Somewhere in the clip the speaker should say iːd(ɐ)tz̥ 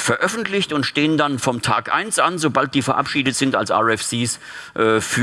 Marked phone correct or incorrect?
incorrect